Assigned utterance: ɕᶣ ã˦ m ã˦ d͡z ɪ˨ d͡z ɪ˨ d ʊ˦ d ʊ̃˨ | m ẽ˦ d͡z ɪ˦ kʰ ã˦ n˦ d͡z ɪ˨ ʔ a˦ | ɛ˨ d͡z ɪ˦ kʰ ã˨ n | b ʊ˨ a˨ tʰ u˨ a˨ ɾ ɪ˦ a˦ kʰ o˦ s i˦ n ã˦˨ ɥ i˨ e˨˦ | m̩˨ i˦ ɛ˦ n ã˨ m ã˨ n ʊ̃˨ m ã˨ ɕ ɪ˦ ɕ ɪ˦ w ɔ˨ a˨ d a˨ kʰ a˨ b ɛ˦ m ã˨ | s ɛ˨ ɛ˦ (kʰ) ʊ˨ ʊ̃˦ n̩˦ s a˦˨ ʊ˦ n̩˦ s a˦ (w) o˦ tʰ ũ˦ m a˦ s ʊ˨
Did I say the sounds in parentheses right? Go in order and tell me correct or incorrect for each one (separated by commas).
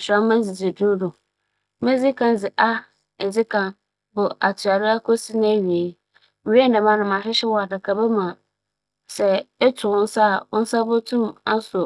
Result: incorrect, incorrect